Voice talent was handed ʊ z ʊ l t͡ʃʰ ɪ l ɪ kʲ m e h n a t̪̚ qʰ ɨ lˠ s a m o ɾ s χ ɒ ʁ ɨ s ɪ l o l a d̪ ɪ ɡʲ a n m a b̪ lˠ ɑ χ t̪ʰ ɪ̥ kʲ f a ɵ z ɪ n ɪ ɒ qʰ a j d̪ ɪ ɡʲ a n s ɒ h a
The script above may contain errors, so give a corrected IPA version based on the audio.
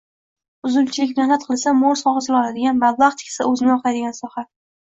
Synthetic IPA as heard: ʊ z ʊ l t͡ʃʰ ɪ l ɪ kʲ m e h n a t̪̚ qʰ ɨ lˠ s a m o ɾ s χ ɒ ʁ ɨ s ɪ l ɒ l a d̪ ɪ ɡʲ a n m a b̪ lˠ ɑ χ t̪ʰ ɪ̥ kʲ s a ɵ z ɪ n ɪ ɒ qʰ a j d̪ ɪ ɡʲ a n s ɒ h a